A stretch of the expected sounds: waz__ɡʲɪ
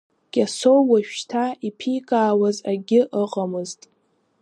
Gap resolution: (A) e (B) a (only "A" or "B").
B